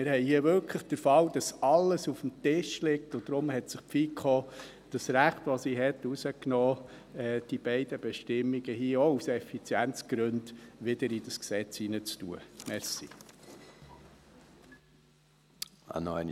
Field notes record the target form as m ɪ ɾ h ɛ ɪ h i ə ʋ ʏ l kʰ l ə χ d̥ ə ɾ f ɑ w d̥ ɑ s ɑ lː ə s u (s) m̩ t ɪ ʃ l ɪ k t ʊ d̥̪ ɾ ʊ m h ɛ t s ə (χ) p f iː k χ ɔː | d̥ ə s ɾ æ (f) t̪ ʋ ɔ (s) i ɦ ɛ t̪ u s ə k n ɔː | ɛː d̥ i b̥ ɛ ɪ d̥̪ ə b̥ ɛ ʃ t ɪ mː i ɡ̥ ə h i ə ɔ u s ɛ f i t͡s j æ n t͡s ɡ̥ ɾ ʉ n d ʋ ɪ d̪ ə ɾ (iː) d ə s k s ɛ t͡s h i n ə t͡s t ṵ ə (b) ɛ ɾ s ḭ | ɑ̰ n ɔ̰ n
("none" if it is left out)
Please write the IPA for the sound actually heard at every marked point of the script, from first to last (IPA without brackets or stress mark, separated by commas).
f, χ, χ, s, i, m